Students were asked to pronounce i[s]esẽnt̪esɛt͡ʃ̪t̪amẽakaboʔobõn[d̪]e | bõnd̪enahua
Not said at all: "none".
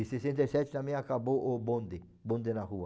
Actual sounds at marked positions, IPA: s, d̪

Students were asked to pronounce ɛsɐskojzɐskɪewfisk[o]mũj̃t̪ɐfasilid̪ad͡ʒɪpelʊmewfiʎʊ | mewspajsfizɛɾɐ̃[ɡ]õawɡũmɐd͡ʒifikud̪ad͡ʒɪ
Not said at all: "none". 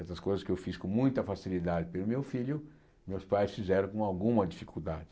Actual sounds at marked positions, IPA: õ, k

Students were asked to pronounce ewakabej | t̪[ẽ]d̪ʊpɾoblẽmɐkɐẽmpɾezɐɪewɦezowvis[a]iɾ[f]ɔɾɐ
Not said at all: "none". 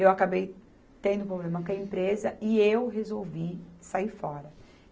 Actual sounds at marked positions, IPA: ẽ, a, f

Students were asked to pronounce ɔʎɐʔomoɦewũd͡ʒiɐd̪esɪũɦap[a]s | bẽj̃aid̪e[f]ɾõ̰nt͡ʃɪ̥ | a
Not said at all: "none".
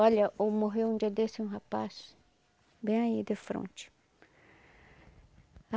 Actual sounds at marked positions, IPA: a, f

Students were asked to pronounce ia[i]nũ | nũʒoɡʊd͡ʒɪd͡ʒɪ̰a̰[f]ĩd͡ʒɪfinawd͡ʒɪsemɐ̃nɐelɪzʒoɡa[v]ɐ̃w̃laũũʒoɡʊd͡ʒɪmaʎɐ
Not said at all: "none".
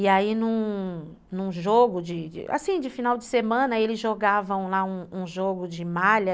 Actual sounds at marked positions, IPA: i, s, v

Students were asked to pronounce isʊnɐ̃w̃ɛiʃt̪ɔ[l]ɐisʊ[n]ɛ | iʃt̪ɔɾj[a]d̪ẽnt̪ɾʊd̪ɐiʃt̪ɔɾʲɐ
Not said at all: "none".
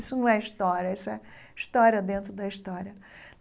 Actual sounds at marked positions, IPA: ɾ, none, ɐ

